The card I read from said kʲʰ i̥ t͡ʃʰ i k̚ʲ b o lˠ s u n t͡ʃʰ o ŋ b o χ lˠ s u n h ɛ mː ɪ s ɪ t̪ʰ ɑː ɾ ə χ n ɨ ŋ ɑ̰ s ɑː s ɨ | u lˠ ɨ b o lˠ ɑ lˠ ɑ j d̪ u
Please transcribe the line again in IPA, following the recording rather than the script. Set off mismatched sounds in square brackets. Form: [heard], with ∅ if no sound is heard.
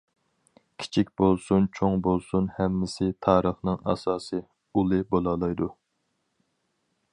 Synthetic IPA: kʲʰ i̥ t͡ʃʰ i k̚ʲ b o lˠ s u n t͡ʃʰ o ŋ b o [∅] lˠ s u n h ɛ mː ɪ s ɪ t̪ʰ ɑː ɾ ə χ n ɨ ŋ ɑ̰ s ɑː s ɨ | u lˠ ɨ b o lˠ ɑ lˠ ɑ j d̪ u

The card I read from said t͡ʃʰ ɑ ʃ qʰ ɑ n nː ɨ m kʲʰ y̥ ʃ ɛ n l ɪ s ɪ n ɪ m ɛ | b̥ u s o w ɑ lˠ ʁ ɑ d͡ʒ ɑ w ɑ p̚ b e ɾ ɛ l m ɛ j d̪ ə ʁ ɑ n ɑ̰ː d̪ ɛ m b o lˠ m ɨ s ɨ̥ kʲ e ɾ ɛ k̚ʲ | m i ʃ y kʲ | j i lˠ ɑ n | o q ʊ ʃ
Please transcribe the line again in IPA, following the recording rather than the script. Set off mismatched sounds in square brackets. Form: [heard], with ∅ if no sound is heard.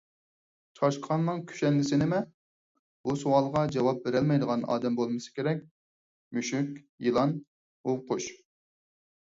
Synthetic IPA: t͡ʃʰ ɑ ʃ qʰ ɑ n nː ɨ [ŋ] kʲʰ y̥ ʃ ɛ n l ɪ s ɪ n ɪ m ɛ | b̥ u s o w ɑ lˠ ʁ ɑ d͡ʒ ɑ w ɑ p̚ b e ɾ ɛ l m ɛ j d̪ ə ʁ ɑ n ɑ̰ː d̪ ɛ m b o lˠ m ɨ s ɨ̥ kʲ e ɾ ɛ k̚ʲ | m [y] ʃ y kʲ | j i lˠ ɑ n | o q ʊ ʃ

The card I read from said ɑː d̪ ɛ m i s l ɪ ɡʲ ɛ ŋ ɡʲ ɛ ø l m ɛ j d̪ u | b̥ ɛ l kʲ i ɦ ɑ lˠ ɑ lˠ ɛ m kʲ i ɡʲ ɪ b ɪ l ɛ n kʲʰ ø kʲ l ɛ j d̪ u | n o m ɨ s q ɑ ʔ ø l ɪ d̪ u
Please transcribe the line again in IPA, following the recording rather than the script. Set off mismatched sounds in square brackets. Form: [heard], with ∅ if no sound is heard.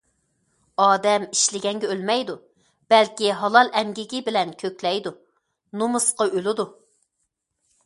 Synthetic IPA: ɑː d̪ ɛ m i [ʃ] l ɪ ɡʲ ɛ ŋ ɡʲ ɛ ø l m ɛ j d̪ u | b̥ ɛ l kʲ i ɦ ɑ lˠ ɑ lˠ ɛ m [ɡʲ] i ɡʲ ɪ b ɪ l ɛ n kʲʰ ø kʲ l ɛ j d̪ u | n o m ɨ s q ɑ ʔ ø l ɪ d̪ u

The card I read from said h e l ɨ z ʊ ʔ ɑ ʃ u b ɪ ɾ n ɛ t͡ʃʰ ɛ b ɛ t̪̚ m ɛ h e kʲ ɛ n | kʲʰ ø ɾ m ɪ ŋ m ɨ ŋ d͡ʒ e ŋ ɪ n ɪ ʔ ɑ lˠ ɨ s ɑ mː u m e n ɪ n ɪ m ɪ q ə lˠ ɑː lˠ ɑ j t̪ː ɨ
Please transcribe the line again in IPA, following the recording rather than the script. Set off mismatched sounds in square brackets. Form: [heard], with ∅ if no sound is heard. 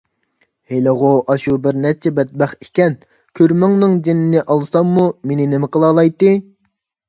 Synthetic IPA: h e l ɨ [ʁ] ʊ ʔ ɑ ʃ u b ɪ ɾ n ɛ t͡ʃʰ ɛ b ɛ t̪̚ [b] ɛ [χ] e kʲ ɛ n | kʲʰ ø ɾ m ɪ ŋ [n] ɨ ŋ d͡ʒ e [n] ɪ n ɪ ʔ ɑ lˠ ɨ s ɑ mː u m e n ɪ n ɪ m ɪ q ə lˠ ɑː lˠ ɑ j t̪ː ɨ

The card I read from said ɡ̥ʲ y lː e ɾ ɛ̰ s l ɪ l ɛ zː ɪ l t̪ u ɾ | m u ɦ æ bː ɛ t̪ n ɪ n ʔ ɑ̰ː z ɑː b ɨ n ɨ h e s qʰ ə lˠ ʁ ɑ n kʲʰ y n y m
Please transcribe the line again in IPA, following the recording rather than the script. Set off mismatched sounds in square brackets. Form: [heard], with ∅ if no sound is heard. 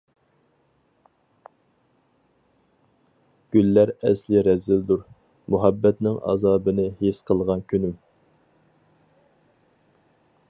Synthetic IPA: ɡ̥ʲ y lː [æ] ɾ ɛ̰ s l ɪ [ɾ] ɛ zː ɪ l [d̪] u ɾ | m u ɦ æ bː ɛ t̪ n ɪ [ŋ] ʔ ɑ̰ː z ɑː b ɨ n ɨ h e s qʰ ə lˠ ʁ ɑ n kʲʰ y n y m

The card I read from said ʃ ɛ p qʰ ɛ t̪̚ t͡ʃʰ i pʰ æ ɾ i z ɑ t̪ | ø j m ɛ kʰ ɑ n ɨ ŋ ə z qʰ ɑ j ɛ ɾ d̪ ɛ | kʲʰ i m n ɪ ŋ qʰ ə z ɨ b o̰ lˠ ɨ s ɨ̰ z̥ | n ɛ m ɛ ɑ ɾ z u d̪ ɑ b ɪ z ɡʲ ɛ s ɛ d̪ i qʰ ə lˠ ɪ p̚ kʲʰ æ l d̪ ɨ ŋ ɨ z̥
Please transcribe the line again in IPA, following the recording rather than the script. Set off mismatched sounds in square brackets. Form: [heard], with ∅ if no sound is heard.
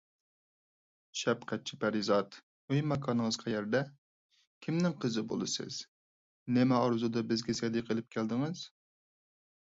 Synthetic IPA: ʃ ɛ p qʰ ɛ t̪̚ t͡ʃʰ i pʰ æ ɾ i z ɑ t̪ | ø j m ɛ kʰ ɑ n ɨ ŋ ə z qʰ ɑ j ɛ ɾ d̪ ɛ | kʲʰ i m n ɪ ŋ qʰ ə z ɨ b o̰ lˠ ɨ s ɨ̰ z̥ | n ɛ m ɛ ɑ ɾ z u d̪ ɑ b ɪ z ɡʲ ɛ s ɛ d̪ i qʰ ə lˠ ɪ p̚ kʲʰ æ l d̪ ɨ ŋ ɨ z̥

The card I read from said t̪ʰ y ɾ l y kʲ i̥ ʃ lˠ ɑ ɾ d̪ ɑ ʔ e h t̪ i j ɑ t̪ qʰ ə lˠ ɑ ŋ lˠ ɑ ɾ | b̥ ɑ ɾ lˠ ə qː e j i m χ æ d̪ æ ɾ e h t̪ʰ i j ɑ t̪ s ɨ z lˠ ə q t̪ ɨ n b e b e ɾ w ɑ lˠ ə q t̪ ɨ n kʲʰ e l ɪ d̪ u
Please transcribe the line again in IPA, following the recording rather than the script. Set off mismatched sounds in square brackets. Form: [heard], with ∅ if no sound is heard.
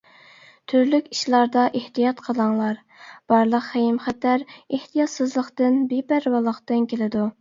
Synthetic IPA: t̪ʰ y ɾ l y kʲ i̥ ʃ lˠ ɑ ɾ d̪ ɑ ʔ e h t̪ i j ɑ t̪ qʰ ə lˠ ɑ ŋ lˠ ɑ ɾ | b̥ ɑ ɾ lˠ ə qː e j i m χ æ [t̪] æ ɾ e h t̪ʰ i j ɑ t̪ s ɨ z lˠ ə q t̪ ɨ n b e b [æ] ɾ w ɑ lˠ ə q t̪ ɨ n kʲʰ e l ɪ d̪ u

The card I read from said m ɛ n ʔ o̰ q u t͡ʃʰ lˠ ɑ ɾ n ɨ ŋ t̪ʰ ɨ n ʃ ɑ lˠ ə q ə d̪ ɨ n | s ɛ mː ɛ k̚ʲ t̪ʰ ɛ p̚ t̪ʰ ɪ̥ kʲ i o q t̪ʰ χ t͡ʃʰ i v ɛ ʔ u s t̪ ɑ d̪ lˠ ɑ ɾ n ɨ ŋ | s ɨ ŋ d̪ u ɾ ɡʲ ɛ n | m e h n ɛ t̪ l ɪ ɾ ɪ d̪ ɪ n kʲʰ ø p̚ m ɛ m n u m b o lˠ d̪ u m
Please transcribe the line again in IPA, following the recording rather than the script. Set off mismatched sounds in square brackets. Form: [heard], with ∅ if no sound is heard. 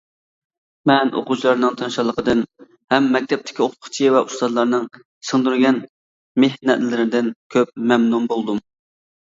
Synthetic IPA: m ɛ n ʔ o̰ q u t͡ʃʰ lˠ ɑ ɾ n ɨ ŋ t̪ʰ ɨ n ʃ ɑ lˠ ə q ə d̪ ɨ n | [h] ɛ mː ɛ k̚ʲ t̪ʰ ɛ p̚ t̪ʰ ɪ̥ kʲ i o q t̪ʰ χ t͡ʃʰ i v ɛ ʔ u s t̪ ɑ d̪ lˠ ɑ ɾ n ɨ ŋ | s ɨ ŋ d̪ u ɾ ɡʲ ɛ n | m e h n ɛ t̪ l ɪ ɾ ɪ d̪ ɪ n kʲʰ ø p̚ m ɛ m n u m b o lˠ d̪ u m

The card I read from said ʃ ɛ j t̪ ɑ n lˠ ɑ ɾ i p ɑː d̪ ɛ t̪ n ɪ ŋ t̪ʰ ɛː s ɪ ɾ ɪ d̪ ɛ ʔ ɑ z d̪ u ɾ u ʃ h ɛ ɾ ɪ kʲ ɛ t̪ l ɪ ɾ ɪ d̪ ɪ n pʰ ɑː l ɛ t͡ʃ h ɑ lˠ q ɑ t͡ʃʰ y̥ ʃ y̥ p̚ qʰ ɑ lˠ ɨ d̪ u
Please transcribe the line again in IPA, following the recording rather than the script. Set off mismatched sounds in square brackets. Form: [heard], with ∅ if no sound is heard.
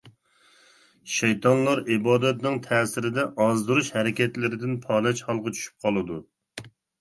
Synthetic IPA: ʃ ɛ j t̪ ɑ n lˠ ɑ ɾ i [b] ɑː d̪ ɛ t̪ n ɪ ŋ t̪ʰ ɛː s ɪ ɾ ɪ d̪ ɛ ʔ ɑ z d̪ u ɾ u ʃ h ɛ ɾ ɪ kʲ ɛ t̪ l ɪ ɾ ɪ d̪ ɪ n pʰ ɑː l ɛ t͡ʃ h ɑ lˠ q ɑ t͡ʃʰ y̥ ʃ y̥ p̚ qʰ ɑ lˠ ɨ d̪ u

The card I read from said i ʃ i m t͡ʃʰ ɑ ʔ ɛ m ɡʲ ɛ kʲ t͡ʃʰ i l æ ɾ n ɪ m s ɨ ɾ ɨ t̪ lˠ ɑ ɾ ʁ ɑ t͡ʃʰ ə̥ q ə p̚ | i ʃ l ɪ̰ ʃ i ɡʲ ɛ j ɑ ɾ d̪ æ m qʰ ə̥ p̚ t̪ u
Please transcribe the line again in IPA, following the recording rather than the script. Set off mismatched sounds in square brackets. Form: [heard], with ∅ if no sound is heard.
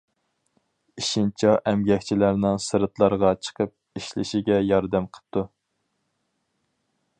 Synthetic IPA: i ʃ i [n] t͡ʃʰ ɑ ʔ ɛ m ɡʲ ɛ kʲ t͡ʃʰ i l æ ɾ n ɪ [ŋ] s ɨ ɾ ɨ t̪ lˠ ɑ ɾ ʁ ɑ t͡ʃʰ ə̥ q ə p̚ | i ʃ l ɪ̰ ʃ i ɡʲ ɛ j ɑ ɾ d̪ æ m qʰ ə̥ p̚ t̪ u

